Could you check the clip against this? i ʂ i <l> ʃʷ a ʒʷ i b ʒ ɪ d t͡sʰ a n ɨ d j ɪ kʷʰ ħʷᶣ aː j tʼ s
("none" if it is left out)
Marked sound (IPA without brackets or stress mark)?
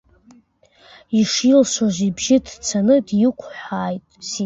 l